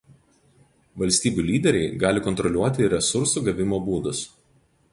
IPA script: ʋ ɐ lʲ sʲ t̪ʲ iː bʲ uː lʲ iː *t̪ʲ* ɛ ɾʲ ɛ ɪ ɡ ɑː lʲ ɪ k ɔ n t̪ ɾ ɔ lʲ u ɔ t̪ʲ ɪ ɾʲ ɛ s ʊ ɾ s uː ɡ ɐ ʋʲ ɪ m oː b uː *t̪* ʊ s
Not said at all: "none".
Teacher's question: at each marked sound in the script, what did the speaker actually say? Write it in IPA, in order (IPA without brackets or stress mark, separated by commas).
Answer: d̪ʲ, d̪